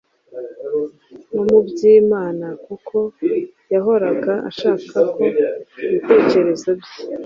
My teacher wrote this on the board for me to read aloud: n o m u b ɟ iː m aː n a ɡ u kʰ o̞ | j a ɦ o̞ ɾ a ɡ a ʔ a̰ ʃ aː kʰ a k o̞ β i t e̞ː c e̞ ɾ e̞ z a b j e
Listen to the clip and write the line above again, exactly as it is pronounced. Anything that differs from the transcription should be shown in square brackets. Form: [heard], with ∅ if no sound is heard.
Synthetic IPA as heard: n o m u b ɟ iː m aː n a [k] u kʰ o̞ | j a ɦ o̞ ɾ a ɡ a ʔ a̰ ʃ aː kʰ a k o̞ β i t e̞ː c e̞ ɾ e̞ z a b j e